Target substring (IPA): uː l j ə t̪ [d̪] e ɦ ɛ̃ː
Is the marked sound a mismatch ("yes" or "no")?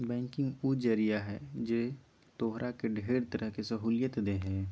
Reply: no